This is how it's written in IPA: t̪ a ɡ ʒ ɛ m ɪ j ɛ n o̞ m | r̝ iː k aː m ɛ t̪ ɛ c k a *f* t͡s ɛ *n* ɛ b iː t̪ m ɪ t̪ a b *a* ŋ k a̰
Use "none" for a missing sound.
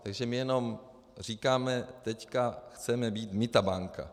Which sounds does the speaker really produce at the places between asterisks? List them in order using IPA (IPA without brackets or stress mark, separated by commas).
x, m, a